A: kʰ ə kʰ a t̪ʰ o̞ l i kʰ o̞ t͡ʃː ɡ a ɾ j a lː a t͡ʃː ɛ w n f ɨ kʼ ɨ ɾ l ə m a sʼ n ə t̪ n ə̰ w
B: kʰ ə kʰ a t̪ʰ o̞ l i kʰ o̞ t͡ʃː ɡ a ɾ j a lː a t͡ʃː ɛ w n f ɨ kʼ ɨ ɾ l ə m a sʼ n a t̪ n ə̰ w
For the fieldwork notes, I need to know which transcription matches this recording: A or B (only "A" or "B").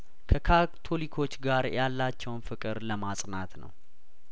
B